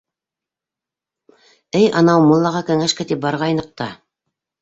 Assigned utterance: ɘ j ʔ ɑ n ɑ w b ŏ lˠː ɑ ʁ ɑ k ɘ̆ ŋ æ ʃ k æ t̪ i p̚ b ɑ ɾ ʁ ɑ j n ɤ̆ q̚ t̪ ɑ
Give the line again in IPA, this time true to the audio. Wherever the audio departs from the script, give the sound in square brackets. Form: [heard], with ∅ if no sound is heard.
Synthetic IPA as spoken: ɘ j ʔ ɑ n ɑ w [m] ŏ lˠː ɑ ʁ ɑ k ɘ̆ ŋ æ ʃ k æ t̪ i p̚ b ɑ ɾ ʁ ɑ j n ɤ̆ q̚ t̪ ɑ